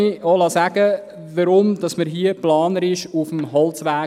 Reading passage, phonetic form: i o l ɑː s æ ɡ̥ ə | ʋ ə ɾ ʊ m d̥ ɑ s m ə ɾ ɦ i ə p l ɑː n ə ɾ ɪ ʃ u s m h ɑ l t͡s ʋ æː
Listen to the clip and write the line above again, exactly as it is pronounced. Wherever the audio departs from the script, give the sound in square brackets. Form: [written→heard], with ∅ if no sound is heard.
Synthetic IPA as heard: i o l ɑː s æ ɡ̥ ə | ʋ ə ɾ ʊ m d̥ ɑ s m ə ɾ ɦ i ə p l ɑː n ə ɾ ɪ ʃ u [s→f] m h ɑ l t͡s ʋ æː

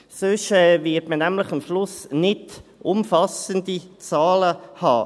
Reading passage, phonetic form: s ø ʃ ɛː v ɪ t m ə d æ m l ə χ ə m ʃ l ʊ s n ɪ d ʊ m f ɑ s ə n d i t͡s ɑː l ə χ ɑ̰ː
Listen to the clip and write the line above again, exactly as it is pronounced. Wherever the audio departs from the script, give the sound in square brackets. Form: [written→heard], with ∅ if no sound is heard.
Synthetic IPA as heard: s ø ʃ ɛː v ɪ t m ə [d→n] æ m l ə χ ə m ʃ l ʊ s n ɪ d ʊ m f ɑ s ə n d i t͡s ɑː l ə [χ→h] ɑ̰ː

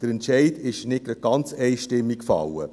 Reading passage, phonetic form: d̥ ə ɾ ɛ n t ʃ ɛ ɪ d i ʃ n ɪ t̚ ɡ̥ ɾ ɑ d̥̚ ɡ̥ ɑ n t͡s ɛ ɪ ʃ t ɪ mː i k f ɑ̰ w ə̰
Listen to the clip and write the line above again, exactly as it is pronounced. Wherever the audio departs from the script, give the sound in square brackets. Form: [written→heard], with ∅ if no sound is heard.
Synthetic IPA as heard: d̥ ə ɾ ɛ n t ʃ ɛ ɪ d [i→ɪ] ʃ n ɪ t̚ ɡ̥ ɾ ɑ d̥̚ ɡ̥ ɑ n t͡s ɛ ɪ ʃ t ɪ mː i k f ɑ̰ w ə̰

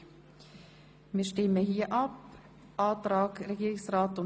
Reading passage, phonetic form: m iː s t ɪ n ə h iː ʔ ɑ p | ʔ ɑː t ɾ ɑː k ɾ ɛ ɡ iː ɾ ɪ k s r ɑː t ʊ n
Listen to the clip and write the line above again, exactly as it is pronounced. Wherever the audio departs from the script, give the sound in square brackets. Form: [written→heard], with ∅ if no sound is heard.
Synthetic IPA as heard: m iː [s→ʃ] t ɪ [n→m] ə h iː ʔ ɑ p | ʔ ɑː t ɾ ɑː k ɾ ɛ ɡ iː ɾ ɪ k s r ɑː t ʊ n

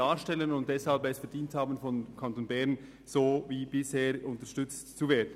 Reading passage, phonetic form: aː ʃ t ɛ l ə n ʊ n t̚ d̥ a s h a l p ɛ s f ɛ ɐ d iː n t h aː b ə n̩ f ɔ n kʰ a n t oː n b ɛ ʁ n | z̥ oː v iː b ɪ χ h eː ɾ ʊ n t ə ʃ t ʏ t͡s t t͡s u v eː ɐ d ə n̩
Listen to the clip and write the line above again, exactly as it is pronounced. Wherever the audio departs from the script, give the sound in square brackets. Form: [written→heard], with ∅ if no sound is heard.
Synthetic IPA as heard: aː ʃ t ɛ l ə n ʊ n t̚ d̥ [a→ɛ] s h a l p ɛ s f ɛ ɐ d iː n t h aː b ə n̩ f ɔ n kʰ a n t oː n b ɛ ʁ n | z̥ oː v iː b ɪ [χ→s] h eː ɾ ʊ n t ə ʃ t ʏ t͡s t t͡s u v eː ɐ d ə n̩

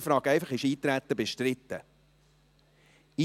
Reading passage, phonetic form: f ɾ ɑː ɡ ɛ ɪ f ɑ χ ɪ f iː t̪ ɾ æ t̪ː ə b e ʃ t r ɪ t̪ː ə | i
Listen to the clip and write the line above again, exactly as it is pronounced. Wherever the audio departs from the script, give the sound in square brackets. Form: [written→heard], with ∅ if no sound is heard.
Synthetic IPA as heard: f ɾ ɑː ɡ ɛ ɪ f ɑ χ ɪ [f→ʃ] iː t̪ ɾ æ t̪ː ə b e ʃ t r ɪ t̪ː ə | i

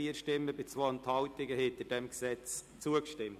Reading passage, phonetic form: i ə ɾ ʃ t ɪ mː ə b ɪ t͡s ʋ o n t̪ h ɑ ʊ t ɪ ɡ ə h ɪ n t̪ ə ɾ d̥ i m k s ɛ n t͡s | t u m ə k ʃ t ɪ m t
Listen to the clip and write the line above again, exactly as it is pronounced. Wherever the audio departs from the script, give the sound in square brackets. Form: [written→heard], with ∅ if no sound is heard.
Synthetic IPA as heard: i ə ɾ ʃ t ɪ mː ə b ɪ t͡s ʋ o n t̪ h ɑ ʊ t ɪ ɡ ə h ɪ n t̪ ə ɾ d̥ [i→ɛ] m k s ɛ [n→∅] t͡s | [t→t͡s] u [m→∅] ə k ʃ t ɪ m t

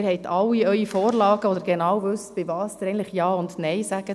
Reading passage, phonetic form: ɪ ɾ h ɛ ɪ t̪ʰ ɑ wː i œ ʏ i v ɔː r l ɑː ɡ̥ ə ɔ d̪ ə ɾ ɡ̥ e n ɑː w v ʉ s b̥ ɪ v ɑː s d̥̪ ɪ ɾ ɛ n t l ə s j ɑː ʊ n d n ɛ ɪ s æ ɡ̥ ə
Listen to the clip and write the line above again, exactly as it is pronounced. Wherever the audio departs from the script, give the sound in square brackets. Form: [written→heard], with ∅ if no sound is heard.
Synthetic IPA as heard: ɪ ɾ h ɛ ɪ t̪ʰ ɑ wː i œ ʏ i [v→f] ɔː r l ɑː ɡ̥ ə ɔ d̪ ə ɾ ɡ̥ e n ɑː w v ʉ s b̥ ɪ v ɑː s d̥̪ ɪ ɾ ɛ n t l ə [s→χ] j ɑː ʊ n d n ɛ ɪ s æ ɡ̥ ə

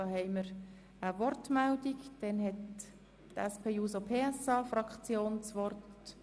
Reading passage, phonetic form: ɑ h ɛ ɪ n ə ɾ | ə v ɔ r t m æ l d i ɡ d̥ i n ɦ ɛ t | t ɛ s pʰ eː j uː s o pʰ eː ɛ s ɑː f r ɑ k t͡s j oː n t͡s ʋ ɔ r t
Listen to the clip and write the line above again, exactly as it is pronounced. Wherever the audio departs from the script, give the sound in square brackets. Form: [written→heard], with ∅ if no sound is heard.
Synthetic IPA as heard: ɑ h ɛ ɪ [n→m] ə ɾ | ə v ɔ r t m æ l d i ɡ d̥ [i→ɛ] n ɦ ɛ t | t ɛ s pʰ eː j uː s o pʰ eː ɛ s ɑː f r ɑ k t͡s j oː n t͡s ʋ ɔ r t

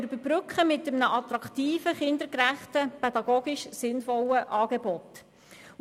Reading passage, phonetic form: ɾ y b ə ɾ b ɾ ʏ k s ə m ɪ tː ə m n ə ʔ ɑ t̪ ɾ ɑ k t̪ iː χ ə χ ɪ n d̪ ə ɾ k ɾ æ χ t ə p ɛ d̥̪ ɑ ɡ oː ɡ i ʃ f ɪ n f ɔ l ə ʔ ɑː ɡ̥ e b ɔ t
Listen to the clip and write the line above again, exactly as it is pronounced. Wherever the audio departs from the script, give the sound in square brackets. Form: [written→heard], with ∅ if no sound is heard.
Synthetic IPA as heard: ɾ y b ə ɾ b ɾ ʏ k [s→χ] ə m ɪ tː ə m n ə ʔ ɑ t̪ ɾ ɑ k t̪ iː [χ→f] ə χ ɪ n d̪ ə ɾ k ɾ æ χ t ə p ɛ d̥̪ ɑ ɡ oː ɡ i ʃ [f→s] ɪ n f ɔ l ə ʔ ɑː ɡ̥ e b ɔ t

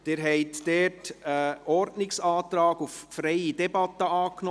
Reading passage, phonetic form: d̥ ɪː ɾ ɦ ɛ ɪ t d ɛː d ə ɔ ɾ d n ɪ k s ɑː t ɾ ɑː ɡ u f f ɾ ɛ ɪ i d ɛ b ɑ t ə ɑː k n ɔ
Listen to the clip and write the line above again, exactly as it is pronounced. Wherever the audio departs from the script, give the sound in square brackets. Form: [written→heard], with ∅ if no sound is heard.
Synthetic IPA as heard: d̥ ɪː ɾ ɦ ɛ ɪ t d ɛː [d→t] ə ɔ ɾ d n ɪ k s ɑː t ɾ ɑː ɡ u f f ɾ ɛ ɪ i d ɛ b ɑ t ə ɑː k n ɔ

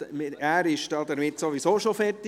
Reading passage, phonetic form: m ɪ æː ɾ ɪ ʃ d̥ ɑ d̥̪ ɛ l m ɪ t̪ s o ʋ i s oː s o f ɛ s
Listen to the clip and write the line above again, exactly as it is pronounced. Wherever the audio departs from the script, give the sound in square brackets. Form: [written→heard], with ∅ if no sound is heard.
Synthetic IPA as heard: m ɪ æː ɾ ɪ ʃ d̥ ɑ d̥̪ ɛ [l→ɾ] m ɪ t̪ s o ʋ i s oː [s→ʃ] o f ɛ [s→t]

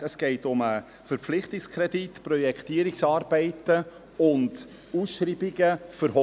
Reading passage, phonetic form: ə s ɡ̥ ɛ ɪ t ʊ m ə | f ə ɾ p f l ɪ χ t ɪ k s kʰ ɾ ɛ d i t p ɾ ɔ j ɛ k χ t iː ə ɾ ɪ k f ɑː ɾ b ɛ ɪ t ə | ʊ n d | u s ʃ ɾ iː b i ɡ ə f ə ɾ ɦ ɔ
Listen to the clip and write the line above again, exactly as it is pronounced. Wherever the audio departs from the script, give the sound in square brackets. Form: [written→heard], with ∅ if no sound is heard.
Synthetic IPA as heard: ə s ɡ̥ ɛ ɪ t ʊ m ə | f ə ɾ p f l ɪ χ t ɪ k s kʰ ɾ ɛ d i t p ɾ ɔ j ɛ k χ t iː ə ɾ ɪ k [f→s] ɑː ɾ b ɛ ɪ t ə | ʊ n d | u s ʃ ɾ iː b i ɡ ə f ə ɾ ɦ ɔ

